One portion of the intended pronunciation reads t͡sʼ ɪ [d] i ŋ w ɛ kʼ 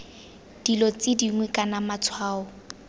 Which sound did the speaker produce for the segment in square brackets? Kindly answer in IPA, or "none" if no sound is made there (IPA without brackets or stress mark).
d